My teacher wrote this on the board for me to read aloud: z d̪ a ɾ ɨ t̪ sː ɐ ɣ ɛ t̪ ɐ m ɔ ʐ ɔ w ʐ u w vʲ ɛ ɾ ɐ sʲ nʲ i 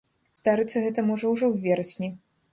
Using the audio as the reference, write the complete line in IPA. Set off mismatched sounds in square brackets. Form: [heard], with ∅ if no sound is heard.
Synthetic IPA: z d̪ a ɾ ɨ t̪ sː ɐ ɣ ɛ t̪ ɐ m ɔ ʐ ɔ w ʐ [ɔ] w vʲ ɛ ɾ ɐ sʲ nʲ i